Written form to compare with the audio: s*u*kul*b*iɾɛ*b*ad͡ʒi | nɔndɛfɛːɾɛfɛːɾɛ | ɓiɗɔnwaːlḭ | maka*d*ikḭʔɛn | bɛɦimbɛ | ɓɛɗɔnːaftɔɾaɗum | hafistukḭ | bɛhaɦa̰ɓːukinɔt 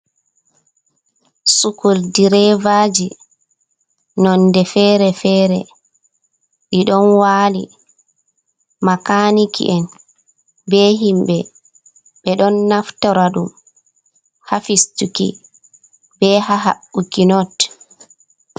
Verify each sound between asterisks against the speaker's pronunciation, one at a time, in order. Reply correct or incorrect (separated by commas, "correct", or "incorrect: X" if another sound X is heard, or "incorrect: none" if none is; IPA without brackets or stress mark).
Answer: correct, incorrect: d, incorrect: v, incorrect: n